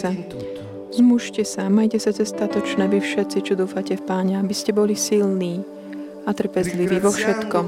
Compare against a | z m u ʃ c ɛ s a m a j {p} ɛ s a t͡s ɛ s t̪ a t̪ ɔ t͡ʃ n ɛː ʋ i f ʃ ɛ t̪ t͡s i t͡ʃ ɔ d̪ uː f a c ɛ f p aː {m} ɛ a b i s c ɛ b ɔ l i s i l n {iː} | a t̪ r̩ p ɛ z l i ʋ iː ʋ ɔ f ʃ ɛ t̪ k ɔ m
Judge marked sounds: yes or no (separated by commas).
no, no, yes